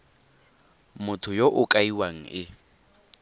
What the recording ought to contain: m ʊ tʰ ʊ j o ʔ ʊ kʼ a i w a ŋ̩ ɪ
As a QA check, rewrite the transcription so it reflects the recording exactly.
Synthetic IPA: m ʊ tʰ ʊ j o ʔ ʊ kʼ a i w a ŋ̩ ɪ

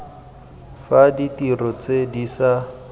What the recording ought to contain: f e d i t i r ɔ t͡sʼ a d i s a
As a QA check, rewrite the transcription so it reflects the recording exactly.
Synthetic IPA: f a d i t i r ɔ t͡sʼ e d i s a

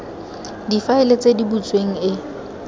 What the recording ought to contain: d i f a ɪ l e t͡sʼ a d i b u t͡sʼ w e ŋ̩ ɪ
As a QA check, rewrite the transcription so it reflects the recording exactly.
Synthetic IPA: d i f a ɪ l e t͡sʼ e d i b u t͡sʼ w e ŋ̩ ɪ

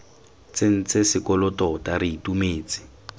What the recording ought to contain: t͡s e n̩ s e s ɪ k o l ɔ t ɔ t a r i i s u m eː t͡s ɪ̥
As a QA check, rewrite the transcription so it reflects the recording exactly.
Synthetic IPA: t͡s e n̩ t͡s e s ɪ k ɔ l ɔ t ɔ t a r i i t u m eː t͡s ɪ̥

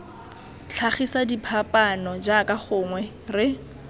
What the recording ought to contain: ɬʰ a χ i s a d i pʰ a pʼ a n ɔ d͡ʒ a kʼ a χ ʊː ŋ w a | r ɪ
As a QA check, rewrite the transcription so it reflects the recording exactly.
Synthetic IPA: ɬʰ a χ i s a d i pʰ a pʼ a n ɔ d͡ʒ a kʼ a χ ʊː ŋ w ɛ | r ɪ

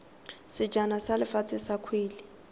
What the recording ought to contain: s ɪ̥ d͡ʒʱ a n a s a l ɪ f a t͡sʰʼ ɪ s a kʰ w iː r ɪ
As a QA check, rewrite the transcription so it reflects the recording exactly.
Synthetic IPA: s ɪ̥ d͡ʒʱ a n a s a l ɪ f a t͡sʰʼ ɪ s a kʰ w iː l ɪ

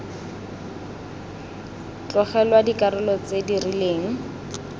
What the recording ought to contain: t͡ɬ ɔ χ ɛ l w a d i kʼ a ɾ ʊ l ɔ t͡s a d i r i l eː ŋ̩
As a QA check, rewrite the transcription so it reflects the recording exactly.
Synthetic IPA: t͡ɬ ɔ χ ɛ l w a d i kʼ a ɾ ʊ l ɔ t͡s e d i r i l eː ŋ̩

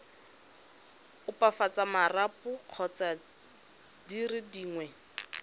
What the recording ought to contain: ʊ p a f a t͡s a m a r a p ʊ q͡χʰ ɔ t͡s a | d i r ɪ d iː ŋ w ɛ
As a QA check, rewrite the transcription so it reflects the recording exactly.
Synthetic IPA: ʊ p a f a t͡s a m a r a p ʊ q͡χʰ ɔ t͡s a | d i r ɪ d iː ŋ w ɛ

